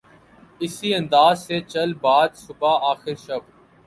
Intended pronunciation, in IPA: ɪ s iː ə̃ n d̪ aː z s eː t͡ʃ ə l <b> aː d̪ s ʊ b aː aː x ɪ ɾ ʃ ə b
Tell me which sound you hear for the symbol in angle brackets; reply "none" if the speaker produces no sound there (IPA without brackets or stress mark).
b